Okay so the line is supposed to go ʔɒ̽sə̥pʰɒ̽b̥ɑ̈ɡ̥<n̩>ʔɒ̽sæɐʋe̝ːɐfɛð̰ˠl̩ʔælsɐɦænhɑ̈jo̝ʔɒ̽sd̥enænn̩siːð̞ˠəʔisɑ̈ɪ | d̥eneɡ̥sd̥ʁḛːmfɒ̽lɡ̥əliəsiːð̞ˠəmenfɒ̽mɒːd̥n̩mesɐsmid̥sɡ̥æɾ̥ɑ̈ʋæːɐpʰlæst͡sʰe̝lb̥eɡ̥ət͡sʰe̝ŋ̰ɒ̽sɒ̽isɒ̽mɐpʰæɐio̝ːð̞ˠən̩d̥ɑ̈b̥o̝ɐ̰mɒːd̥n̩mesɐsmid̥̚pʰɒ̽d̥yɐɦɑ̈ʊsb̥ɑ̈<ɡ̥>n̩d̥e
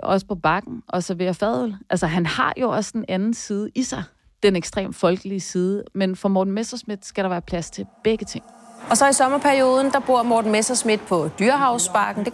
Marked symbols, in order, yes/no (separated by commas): yes, yes